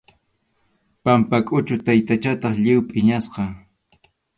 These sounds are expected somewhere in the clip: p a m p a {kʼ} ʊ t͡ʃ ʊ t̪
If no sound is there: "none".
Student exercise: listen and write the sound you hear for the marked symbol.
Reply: kʼ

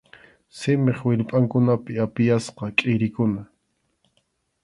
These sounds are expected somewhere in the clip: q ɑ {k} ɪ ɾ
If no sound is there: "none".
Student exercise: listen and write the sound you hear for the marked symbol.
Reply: kʼ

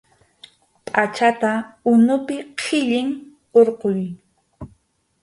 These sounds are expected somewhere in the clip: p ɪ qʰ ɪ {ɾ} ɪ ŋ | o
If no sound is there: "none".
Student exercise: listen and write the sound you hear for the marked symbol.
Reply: ʎ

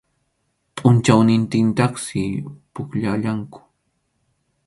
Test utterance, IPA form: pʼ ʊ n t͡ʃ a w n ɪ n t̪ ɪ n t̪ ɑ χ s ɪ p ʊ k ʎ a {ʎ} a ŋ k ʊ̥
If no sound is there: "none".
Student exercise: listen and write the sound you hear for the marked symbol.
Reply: ʎ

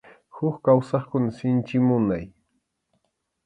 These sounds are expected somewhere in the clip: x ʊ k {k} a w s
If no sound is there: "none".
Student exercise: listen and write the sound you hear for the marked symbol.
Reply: k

